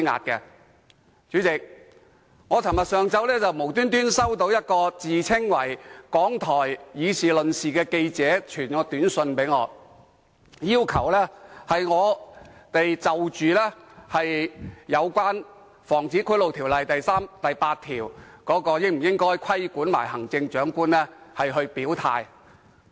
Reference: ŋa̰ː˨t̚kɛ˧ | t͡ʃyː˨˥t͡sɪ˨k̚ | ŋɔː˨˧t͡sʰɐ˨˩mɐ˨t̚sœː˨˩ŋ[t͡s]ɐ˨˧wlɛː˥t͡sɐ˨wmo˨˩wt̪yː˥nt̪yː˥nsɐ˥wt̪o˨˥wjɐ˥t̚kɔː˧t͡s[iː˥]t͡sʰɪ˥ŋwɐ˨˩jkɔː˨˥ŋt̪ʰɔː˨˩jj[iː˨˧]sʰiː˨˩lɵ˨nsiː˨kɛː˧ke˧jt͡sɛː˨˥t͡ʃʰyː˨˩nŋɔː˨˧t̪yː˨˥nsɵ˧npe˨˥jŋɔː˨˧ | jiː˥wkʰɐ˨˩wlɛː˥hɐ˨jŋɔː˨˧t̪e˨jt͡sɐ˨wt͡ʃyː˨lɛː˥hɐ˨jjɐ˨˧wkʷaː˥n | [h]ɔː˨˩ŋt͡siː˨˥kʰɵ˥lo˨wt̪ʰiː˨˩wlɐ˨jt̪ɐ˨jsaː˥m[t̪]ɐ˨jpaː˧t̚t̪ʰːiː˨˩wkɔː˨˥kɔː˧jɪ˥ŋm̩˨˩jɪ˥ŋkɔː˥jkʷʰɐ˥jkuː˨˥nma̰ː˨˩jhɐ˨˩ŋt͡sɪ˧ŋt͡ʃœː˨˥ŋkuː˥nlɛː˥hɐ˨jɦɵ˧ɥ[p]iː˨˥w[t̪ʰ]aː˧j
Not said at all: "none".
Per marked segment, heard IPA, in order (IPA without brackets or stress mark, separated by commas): t͡s, iː˨, iː˨˧, f, t̪, p, t̪ʰ